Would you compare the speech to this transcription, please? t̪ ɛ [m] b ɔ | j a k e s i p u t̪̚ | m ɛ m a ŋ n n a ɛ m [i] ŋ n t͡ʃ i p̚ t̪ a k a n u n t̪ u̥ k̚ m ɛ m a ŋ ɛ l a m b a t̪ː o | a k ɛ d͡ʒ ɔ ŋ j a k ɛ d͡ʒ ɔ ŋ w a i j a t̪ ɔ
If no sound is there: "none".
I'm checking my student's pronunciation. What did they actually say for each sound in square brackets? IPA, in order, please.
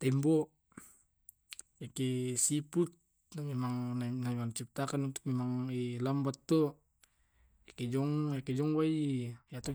m, a

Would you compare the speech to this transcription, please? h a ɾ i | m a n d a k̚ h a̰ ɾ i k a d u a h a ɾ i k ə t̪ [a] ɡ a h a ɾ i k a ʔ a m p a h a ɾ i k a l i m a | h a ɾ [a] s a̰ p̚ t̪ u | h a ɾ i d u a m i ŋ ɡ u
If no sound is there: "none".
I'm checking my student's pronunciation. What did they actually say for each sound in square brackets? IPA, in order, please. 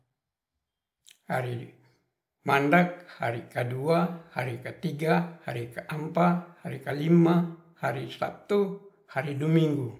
i, i

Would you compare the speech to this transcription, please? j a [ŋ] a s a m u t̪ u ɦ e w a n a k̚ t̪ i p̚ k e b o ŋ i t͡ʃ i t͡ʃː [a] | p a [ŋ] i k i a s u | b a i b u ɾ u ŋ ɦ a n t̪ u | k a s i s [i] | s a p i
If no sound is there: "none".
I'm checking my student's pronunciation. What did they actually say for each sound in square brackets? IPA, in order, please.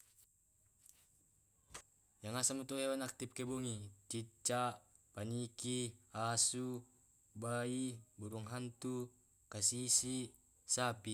ŋ, a, n, i

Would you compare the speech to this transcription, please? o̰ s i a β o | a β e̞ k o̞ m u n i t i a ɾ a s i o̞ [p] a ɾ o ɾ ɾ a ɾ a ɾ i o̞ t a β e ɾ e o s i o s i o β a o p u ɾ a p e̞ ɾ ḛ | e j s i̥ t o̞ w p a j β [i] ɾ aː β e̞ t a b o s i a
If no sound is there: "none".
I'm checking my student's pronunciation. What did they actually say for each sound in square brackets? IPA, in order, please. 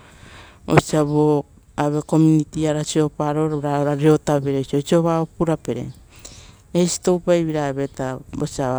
p, i

